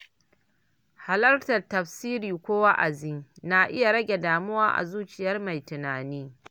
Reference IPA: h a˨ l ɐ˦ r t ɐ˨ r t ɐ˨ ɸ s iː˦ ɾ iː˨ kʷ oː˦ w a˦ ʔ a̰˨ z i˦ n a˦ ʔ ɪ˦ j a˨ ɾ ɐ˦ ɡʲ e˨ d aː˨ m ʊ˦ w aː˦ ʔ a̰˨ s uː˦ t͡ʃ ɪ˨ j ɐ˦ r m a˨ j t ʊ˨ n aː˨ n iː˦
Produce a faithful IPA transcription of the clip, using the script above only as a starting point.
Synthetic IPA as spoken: h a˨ l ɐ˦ r t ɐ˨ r t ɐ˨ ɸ s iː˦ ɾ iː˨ kʷ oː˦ w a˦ ʔ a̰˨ z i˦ n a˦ ʔ ɪ˦ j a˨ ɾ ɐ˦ ɡʲ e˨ d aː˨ m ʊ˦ w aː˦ ʔ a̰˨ z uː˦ t͡ʃ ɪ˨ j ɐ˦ r m a˨ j t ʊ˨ n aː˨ n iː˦